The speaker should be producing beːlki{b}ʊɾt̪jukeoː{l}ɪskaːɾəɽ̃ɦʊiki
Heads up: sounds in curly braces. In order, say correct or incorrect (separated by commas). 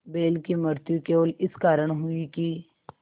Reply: incorrect, correct